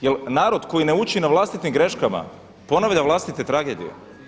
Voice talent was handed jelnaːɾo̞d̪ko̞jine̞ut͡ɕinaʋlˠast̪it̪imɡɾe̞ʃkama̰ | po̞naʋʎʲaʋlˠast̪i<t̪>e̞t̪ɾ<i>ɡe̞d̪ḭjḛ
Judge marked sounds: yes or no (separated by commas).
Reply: yes, no